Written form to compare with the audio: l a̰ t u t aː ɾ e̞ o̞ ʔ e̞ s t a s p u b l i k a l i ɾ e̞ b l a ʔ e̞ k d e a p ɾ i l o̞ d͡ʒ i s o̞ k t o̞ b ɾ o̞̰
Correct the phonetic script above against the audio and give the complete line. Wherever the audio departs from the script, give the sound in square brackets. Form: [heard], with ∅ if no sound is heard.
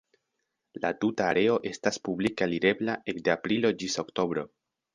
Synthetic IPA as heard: l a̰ t u t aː ɾ e̞ o̞ ʔ e̞ s t a s p u b l i k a l i ɾ e̞ b l a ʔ e̞ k d e a p ɾ i l o̞ d͡ʒ i s o̞ k t o̞ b ɾ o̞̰